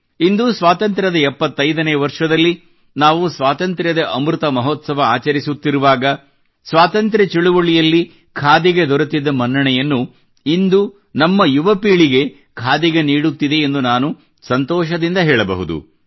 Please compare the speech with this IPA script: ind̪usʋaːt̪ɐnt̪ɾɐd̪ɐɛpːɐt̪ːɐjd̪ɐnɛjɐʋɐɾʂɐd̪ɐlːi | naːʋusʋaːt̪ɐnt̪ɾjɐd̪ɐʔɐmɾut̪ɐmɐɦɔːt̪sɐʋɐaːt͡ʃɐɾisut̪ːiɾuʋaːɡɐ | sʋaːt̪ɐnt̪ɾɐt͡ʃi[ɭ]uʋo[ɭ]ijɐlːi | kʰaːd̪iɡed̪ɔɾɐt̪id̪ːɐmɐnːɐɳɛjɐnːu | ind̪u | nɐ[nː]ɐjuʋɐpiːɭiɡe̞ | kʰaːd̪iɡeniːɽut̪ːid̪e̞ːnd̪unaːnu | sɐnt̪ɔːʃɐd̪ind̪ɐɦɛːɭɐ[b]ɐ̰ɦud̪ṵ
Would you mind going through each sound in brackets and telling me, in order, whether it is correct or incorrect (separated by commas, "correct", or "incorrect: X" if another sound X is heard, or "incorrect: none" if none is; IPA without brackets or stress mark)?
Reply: correct, correct, incorrect: mː, correct